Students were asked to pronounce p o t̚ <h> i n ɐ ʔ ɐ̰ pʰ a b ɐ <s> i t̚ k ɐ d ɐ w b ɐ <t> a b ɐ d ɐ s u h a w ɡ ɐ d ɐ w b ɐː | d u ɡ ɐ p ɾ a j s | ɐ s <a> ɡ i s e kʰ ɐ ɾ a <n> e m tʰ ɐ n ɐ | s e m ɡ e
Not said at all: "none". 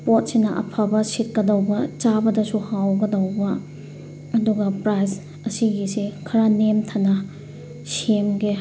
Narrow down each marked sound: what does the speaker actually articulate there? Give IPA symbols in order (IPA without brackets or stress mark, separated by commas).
s, s, t͡ʃ, i, n